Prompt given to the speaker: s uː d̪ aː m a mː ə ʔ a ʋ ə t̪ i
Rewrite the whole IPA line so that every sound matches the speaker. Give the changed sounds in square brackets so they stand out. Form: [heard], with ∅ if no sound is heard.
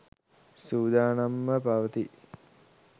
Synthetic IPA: s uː d̪ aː [n] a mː ə [p] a ʋ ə t̪ i